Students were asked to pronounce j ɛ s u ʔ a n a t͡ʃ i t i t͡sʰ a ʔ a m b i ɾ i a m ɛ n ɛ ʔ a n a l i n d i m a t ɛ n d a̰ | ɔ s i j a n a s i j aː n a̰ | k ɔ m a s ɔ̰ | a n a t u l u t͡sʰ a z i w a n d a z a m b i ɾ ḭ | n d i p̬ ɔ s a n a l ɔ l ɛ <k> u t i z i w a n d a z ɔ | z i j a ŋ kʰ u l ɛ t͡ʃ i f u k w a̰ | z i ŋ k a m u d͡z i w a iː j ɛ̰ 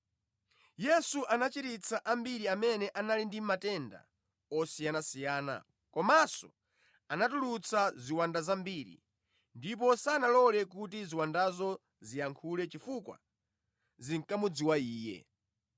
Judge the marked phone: correct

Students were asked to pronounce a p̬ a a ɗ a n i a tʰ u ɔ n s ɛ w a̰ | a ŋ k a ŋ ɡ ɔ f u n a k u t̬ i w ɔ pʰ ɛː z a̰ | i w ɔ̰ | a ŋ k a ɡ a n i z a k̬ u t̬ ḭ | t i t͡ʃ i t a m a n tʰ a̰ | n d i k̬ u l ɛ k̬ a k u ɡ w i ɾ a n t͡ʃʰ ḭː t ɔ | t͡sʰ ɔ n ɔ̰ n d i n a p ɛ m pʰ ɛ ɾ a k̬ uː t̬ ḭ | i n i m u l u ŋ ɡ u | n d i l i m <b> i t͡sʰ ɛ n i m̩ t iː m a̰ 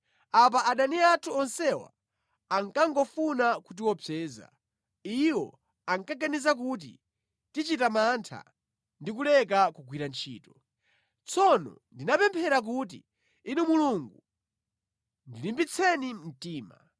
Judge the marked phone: correct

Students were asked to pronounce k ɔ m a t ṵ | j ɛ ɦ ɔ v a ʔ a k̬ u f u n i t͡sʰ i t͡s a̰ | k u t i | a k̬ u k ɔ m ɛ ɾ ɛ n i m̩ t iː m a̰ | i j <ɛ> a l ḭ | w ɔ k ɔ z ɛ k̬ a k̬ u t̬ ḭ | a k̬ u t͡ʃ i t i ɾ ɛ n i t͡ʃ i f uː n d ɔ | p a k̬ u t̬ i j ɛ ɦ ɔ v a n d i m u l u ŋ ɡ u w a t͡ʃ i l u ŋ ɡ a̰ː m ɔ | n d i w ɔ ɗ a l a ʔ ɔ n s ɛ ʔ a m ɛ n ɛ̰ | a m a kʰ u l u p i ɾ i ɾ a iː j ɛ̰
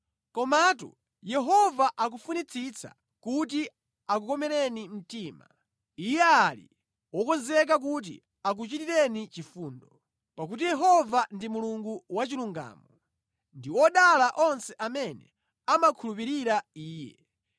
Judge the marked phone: correct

